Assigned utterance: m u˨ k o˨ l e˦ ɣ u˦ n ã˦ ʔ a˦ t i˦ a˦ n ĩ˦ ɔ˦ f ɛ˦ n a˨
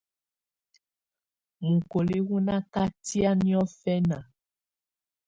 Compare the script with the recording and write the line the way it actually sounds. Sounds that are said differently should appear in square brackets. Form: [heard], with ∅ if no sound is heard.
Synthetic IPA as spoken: m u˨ k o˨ l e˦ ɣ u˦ n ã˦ [k] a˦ t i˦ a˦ n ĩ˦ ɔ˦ f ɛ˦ n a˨